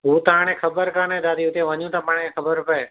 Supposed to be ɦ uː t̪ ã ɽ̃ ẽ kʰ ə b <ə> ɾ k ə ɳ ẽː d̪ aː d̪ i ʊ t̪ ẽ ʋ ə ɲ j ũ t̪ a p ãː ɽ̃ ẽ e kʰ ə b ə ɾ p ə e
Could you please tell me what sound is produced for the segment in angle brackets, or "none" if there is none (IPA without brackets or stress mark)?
ə